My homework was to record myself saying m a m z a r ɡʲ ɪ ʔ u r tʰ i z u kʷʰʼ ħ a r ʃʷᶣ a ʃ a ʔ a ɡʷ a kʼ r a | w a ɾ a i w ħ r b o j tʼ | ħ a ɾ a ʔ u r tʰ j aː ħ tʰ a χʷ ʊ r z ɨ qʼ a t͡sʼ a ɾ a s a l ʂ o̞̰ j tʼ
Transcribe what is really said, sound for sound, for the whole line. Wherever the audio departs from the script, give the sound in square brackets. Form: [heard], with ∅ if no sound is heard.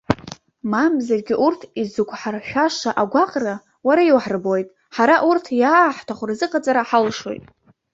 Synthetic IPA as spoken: m a m z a r ɡʲ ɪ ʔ u r tʰ i z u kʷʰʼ ħ a r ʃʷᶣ a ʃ a ʔ a ɡʷ a [qʼ] r a | w a ɾ a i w ħ r b o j tʼ | ħ a ɾ a ʔ u r tʰ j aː ħ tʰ a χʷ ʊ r z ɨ qʼ a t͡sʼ a ɾ a [ħ] a l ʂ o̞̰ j tʼ